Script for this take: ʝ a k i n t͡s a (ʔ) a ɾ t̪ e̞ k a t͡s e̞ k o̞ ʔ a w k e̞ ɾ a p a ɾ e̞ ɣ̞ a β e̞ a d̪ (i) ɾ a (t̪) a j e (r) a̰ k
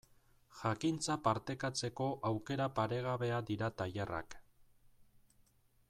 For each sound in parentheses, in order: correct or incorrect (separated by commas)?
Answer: incorrect, correct, correct, correct